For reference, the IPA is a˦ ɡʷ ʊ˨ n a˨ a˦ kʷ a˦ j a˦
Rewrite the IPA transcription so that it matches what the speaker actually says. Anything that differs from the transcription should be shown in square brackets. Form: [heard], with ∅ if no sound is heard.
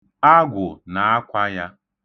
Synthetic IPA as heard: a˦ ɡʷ ʊ˨ n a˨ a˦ kʷ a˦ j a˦

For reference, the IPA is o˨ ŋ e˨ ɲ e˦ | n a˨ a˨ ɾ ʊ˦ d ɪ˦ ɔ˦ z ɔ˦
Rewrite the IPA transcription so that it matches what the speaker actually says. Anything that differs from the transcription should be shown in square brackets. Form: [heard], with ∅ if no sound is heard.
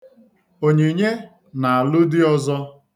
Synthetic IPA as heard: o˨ [ɲ] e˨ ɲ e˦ | n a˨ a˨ [l] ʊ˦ d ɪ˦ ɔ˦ z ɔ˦

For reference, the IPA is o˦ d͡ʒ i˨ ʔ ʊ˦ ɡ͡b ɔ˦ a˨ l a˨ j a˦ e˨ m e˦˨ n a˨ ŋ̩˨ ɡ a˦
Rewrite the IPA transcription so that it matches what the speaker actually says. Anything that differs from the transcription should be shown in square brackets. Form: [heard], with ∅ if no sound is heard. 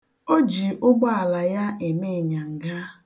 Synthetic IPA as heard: o˦ d͡ʒ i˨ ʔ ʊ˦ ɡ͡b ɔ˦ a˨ l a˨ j a˦ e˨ m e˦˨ [ɲ] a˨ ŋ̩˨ ɡ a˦

